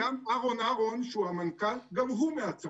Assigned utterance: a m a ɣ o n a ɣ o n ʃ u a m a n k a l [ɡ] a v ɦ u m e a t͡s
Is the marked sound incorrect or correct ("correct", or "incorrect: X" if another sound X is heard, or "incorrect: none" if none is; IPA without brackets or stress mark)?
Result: correct